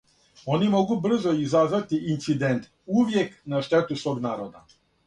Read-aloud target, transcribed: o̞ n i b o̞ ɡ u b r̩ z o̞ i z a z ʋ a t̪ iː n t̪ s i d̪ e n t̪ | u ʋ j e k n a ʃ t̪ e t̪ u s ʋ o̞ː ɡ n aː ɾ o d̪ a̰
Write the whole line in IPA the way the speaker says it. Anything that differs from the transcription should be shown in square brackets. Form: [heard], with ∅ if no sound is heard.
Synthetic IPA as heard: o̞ n i [m] o̞ ɡ u b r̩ z o̞ i z a z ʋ a t̪ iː n t̪ s i d̪ e n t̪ | u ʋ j e k n a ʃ t̪ e t̪ u s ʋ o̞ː ɡ n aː ɾ o d̪ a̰